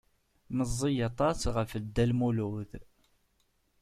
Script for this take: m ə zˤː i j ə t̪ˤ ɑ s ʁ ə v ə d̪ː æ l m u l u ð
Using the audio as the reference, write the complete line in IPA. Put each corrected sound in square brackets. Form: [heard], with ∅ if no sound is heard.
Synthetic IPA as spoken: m ə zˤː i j [ɑ] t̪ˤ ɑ s ʁ ə [f] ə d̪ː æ l m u l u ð